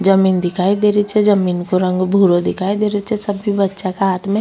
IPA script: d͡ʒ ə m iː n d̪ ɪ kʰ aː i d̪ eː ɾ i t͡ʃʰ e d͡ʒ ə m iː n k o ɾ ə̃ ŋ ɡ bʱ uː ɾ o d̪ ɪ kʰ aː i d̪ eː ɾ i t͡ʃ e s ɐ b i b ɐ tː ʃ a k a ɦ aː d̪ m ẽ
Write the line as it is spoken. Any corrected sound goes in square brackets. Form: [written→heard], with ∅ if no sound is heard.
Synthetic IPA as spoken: d͡ʒ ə m iː n d̪ ɪ kʰ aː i d̪ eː ɾ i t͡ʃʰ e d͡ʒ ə m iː n k o ɾ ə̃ ŋ ɡ bʱ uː ɾ o d̪ ɪ kʰ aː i d̪ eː ɾ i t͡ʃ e s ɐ b i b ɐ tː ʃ a k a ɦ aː [d̪→t̪] m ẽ